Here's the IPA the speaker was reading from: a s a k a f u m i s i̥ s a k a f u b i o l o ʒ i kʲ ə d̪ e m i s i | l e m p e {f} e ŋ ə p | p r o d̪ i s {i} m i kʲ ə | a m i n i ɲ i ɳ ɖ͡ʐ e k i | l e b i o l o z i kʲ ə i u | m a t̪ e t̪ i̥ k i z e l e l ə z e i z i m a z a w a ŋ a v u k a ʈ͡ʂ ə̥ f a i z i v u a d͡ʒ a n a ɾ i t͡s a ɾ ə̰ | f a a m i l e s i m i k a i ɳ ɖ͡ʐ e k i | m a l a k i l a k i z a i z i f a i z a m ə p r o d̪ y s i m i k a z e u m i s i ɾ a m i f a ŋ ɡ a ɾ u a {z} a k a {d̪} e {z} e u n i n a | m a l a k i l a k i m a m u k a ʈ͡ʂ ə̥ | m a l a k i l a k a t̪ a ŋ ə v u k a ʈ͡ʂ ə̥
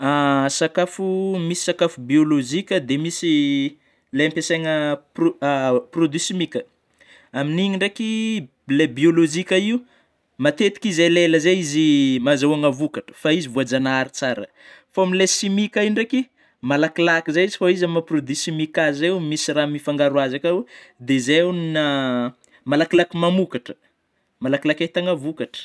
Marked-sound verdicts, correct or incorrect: incorrect: s, correct, correct, correct, correct

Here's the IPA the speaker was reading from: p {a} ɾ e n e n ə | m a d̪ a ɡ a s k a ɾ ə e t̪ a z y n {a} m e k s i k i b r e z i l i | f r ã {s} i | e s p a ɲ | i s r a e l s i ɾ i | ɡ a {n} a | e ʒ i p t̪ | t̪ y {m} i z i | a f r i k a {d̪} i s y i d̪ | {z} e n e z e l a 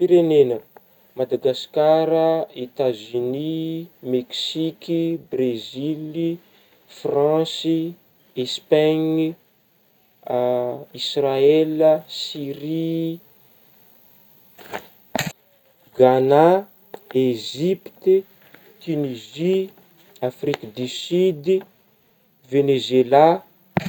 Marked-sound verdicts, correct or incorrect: incorrect: i, incorrect: i, correct, correct, incorrect: n, correct, incorrect: v

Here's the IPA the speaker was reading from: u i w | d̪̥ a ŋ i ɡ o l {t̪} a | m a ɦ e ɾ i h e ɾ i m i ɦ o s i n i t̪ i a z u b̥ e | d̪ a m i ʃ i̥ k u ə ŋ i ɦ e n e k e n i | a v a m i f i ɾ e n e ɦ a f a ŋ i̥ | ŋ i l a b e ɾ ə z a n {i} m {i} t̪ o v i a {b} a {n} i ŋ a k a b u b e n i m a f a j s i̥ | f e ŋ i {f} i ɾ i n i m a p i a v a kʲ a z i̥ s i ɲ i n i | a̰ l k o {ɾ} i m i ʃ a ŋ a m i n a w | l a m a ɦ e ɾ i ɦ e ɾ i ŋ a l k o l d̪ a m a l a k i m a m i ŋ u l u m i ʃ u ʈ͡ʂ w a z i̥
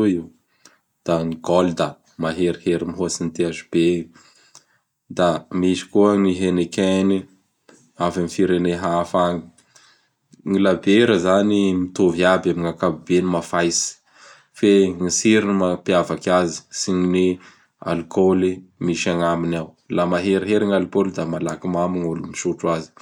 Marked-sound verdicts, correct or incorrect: incorrect: d̪, correct, correct, correct, incorrect: m, incorrect: s, incorrect: l

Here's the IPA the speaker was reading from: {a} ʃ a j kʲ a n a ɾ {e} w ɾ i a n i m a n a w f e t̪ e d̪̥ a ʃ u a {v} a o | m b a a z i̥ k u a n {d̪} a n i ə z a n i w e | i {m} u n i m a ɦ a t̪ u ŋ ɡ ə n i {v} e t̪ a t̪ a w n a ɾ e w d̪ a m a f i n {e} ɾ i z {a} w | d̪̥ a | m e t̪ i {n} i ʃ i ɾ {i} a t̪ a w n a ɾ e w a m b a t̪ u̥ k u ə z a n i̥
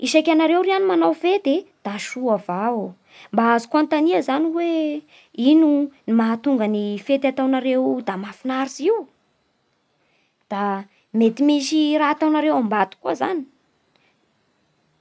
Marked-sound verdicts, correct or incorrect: incorrect: i, correct, correct, incorrect: t̪, incorrect: n, incorrect: f, incorrect: a, incorrect: i, incorrect: m, incorrect: a

